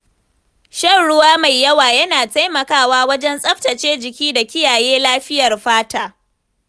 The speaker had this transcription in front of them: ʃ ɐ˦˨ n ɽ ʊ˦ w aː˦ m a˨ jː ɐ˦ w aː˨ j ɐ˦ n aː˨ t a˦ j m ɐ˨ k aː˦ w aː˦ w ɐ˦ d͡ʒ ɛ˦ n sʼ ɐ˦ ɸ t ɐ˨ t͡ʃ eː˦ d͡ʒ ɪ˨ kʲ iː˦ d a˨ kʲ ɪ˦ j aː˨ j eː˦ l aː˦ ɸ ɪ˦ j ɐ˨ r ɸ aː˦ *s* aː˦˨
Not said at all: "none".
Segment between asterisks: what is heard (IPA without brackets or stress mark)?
t